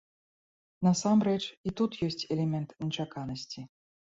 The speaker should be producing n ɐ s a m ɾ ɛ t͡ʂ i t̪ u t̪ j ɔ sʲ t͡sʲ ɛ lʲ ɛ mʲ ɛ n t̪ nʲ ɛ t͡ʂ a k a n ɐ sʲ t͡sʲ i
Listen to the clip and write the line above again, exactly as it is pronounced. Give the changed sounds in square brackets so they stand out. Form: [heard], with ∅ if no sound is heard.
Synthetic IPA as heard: n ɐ s a m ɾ ɛ t͡ʂ i t̪ u t̪ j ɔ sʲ t͡sʲ ɛ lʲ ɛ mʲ ɛ n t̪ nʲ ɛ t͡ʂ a k a n ɐ sʲ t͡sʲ i